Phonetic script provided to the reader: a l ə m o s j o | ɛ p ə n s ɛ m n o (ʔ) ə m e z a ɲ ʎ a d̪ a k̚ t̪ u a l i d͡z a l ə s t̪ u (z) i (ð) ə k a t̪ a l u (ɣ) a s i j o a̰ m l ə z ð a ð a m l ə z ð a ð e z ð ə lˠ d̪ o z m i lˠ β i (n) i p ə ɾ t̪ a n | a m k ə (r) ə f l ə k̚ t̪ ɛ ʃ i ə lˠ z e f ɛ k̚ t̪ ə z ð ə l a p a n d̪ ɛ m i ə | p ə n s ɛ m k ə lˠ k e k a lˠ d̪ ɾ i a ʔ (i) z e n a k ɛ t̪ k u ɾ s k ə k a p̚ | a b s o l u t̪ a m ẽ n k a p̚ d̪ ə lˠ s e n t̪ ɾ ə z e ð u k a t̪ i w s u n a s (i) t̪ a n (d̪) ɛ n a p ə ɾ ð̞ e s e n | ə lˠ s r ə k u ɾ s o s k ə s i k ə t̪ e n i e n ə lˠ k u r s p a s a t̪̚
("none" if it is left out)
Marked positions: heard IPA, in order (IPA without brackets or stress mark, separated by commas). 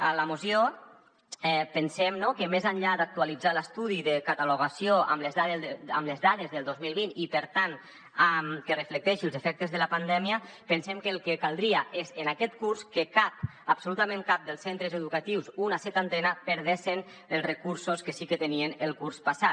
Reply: k, ð, ð, ɣ, n, r, e, ɛ, t̪